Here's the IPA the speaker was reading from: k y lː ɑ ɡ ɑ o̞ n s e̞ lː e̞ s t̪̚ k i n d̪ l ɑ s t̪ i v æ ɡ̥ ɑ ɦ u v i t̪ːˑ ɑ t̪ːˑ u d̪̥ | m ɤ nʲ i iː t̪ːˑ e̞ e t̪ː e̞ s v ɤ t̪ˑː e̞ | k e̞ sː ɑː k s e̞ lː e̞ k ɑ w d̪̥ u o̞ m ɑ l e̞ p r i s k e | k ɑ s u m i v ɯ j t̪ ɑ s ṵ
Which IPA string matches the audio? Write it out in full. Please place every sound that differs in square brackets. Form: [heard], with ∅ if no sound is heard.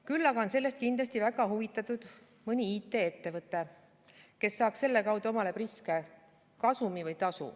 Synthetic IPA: k y lː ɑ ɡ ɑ o̞ n s e̞ lː e̞ s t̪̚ k i n d̪ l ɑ s t̪ i v æ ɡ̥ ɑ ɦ u v i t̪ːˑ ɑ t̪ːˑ u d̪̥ | m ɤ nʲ i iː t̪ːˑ e̞ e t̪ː e̞ [∅] v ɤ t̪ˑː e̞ | k e̞ sː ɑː k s e̞ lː e̞ k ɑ w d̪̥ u o̞ m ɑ l e̞ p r i s k e | k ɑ s u m i v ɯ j t̪ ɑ s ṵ